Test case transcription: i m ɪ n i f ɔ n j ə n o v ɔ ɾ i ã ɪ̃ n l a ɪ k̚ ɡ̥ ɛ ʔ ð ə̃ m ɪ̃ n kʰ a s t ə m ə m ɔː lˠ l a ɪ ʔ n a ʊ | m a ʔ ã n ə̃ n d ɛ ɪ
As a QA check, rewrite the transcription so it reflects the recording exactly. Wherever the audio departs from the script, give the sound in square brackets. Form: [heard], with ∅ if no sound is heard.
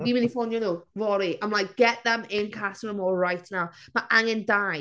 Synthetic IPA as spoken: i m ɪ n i f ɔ n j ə n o v ɔ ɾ i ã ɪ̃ [m] l a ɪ k̚ ɡ̥ ɛ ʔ ð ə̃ m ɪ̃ n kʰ a s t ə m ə m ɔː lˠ [ɹ] a ɪ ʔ n a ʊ | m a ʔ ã [ŋ] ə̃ n d [a] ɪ